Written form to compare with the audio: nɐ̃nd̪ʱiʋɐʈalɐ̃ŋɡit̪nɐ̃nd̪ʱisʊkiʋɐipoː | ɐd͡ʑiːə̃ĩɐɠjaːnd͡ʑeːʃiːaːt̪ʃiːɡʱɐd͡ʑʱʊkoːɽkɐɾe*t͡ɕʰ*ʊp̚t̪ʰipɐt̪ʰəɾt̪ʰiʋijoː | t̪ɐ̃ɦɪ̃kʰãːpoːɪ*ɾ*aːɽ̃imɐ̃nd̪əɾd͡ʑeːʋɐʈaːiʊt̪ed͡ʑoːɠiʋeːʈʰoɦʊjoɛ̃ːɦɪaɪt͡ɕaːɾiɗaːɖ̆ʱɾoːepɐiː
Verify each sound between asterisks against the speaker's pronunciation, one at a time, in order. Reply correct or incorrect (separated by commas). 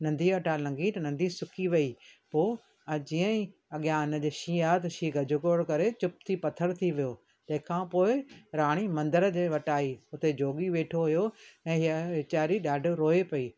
incorrect, correct